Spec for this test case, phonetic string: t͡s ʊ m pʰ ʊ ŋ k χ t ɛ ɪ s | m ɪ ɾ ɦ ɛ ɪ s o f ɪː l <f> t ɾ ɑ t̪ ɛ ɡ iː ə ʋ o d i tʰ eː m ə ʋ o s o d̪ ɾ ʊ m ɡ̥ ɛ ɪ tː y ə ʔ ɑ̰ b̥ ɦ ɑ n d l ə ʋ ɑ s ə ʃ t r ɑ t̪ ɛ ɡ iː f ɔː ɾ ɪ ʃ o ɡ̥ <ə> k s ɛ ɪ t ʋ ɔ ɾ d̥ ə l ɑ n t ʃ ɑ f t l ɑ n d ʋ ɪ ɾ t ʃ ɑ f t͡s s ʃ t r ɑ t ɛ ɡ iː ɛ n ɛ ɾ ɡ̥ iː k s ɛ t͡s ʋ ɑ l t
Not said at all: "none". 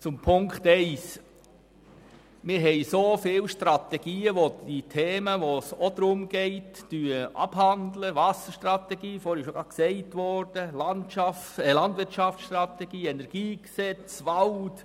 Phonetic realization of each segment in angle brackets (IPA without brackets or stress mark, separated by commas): ʃ, ɑ